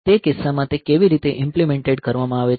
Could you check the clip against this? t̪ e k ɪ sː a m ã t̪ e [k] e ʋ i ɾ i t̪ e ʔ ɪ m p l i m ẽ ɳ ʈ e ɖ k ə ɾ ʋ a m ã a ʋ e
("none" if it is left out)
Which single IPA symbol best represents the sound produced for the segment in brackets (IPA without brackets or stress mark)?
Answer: k